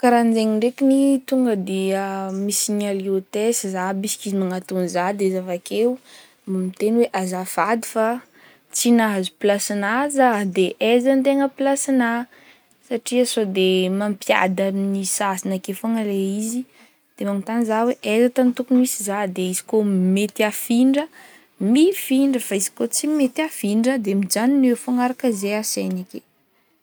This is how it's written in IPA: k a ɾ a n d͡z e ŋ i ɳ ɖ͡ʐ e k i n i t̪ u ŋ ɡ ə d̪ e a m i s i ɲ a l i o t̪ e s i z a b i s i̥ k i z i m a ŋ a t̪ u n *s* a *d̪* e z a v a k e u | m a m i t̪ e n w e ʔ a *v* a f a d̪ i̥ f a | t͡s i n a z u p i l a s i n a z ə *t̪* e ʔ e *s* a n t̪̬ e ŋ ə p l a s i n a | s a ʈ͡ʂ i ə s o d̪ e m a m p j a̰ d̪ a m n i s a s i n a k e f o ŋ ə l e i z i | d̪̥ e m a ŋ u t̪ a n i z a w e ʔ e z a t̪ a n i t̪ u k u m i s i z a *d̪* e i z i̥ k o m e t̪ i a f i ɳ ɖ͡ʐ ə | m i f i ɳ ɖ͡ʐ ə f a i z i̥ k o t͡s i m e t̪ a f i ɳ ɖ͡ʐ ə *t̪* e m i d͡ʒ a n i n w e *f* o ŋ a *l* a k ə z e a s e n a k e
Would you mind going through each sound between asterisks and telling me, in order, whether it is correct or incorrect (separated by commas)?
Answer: incorrect, correct, incorrect, incorrect, incorrect, correct, incorrect, correct, incorrect